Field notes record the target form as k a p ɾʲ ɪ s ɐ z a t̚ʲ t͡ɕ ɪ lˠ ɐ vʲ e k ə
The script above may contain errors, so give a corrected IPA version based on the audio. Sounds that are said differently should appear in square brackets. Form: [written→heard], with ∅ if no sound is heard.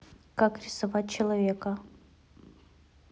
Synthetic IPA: k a [p→k] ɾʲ ɪ s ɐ [z→v] a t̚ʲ t͡ɕ ɪ lˠ ɐ vʲ e k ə